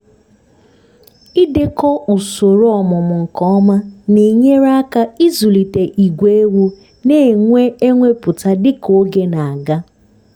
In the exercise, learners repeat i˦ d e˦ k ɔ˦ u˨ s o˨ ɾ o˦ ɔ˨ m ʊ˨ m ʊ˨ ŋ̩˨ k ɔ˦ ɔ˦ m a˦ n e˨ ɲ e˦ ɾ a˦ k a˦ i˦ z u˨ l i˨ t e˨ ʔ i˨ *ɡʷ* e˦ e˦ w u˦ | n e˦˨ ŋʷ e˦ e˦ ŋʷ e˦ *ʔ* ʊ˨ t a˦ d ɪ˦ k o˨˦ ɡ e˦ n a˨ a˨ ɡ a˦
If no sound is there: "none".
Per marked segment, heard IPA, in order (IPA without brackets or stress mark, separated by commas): ɡʷ, p